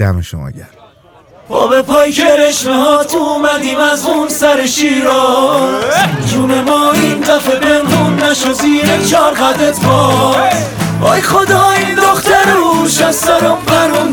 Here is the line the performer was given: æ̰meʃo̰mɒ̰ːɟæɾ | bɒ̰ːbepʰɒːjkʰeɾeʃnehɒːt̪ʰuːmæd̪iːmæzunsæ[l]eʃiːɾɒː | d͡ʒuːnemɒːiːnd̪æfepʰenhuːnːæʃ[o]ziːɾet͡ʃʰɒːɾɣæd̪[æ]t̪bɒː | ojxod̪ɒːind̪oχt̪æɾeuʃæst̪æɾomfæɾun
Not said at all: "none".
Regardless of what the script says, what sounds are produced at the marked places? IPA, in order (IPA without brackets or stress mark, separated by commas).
ɾ, o, e